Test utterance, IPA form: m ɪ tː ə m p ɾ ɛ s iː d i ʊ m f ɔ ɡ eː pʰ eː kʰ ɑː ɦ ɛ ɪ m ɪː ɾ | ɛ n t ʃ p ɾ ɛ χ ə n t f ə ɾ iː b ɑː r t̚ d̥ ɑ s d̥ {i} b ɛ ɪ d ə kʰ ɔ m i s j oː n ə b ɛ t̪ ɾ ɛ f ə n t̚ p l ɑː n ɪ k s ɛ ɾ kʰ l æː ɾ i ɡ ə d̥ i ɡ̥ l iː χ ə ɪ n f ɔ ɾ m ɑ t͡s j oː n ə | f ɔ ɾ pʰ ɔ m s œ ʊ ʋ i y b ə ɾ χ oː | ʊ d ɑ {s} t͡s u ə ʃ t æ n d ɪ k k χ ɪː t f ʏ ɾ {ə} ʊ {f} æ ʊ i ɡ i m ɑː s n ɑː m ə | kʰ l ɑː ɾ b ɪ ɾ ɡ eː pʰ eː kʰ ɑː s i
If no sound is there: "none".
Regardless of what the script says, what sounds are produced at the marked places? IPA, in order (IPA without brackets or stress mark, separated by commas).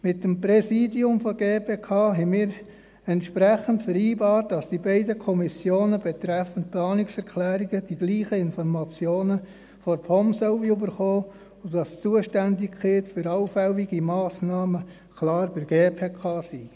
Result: i, s, ɑ, f